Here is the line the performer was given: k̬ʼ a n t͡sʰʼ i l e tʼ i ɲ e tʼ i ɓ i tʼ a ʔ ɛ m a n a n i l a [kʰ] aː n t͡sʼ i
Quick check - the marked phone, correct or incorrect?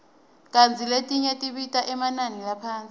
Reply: incorrect